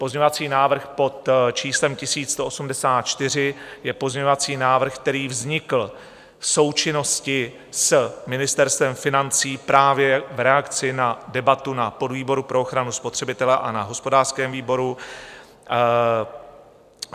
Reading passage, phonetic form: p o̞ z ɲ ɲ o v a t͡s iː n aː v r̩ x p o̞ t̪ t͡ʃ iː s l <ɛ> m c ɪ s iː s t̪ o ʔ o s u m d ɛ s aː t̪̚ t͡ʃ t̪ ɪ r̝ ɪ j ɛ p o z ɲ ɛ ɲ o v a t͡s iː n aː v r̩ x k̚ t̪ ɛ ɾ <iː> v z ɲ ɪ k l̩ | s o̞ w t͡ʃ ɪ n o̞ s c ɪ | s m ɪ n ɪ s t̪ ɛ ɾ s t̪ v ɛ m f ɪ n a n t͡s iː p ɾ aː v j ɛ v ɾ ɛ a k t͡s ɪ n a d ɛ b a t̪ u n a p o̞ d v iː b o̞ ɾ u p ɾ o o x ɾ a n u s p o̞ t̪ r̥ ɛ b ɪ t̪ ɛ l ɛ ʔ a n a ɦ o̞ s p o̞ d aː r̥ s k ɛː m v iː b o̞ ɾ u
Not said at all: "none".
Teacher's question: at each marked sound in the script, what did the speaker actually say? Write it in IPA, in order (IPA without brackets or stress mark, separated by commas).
ɛ, iː